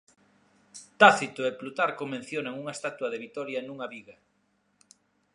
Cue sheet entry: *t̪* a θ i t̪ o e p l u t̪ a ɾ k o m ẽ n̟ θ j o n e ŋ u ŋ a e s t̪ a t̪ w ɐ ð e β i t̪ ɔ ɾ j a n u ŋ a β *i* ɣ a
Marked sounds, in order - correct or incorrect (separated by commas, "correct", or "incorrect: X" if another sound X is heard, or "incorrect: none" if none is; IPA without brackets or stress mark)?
correct, correct